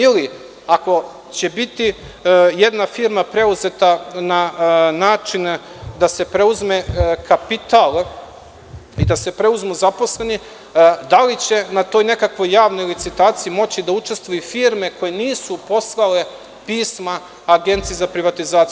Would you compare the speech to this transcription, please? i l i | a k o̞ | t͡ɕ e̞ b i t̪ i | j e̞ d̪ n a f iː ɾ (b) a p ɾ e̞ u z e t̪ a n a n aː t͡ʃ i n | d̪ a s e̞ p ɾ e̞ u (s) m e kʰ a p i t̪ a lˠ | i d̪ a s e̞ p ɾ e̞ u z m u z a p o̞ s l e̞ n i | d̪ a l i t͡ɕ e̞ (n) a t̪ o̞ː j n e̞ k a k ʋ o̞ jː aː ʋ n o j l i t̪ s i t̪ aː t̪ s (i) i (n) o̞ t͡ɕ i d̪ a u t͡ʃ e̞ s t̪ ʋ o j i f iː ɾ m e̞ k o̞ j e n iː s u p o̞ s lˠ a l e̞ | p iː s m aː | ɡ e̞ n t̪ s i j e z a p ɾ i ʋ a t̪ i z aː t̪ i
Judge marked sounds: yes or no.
no, no, yes, yes, no

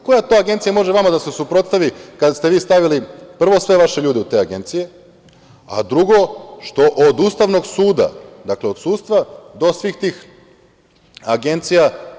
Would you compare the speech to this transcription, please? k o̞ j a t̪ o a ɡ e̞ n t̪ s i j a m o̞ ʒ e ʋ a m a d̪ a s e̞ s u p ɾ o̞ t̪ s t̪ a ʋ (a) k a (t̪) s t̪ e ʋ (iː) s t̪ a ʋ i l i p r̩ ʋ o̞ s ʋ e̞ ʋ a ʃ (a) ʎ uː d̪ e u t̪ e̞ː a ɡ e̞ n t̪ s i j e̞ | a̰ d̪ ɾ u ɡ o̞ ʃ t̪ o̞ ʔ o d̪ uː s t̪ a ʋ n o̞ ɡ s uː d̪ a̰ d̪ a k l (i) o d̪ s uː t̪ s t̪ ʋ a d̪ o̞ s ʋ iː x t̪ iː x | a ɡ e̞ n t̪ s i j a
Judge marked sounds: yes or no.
no, no, yes, no, no

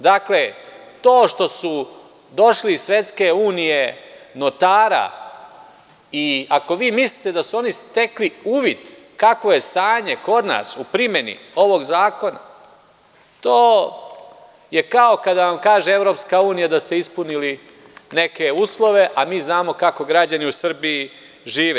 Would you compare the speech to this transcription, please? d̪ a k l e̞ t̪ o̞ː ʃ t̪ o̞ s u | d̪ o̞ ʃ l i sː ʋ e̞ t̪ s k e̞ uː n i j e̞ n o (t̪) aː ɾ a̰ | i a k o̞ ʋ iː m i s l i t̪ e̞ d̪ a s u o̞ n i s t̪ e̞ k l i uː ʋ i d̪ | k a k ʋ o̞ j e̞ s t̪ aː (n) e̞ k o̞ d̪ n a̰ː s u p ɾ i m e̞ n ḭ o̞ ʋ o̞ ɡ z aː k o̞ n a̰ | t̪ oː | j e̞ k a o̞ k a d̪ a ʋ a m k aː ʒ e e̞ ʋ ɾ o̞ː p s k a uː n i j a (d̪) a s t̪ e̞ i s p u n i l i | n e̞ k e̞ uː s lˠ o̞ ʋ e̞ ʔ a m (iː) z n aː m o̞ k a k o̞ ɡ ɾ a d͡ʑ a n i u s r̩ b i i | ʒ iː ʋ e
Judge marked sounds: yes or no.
yes, no, yes, yes

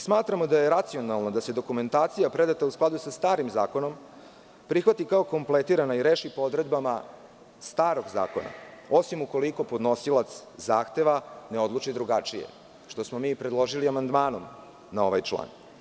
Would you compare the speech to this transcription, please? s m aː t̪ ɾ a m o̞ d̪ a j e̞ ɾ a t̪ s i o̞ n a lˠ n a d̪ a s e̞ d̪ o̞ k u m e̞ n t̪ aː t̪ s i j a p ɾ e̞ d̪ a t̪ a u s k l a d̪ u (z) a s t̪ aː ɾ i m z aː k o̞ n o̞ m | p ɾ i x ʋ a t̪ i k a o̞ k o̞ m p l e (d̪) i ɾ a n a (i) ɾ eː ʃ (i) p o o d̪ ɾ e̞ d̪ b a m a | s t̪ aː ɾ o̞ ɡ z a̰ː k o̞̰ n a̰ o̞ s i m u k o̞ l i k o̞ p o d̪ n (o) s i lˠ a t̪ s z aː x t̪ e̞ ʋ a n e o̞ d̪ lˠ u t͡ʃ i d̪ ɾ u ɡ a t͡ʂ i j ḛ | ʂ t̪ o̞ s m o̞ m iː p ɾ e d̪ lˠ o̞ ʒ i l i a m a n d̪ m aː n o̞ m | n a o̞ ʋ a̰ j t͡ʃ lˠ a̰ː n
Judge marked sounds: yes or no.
no, no, yes, yes, yes

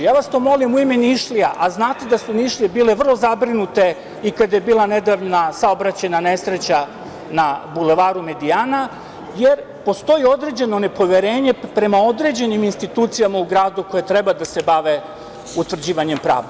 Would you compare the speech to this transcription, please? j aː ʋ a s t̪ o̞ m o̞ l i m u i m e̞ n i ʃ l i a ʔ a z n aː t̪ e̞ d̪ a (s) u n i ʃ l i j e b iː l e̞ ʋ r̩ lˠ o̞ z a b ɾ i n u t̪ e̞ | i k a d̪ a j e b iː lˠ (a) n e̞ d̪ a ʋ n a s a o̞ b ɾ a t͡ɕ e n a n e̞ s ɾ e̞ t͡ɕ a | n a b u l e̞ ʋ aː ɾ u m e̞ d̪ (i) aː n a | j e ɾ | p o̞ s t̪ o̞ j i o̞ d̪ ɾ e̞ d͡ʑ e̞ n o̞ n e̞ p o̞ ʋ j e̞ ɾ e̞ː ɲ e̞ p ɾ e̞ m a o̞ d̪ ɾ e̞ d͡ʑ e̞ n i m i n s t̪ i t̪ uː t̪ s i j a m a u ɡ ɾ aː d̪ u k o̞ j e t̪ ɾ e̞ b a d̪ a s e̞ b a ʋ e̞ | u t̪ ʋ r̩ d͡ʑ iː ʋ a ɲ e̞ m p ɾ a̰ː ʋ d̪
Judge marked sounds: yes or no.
yes, yes, yes

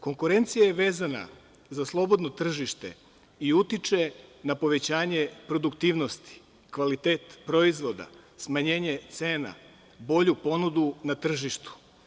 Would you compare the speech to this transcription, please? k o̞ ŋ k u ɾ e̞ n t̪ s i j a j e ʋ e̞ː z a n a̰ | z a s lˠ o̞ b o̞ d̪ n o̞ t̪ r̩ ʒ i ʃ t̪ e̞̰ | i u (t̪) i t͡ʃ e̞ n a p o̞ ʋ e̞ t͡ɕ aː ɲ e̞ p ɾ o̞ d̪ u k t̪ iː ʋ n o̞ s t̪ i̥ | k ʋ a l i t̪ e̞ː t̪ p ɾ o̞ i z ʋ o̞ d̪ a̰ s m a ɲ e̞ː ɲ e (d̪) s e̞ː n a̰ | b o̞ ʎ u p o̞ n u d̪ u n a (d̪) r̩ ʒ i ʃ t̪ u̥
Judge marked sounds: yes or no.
yes, no, no

